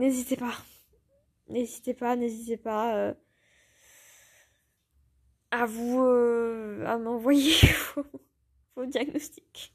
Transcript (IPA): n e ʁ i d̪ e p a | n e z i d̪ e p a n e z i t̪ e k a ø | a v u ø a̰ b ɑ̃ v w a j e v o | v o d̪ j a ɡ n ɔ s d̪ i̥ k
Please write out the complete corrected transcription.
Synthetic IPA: n e z i t̪ e p a | n e z i t̪ e p a n e z i t̪ e p a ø | a v u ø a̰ m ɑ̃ v w a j e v o | v o d̪ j a ɡ n ɔ s t̪ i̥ k